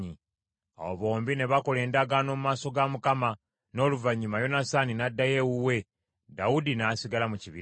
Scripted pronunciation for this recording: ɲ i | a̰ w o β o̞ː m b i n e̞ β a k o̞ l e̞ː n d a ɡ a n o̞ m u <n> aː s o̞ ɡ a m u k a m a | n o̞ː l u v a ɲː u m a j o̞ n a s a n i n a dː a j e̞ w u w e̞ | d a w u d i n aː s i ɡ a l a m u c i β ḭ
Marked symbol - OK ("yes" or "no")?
no